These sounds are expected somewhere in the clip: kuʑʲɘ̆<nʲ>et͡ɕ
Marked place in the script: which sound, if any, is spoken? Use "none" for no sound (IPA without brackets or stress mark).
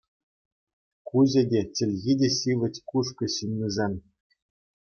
dʲ